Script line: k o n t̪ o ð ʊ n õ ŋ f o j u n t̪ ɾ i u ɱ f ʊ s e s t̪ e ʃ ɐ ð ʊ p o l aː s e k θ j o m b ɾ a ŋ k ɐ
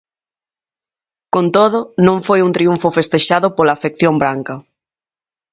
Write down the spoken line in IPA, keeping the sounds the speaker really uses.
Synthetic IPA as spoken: k o n t̪ o ð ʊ n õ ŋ f o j u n t̪ ɾ i u ɱ f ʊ f e s t̪ e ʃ a ð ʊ p o l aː f e k θ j o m b ɾ a ŋ k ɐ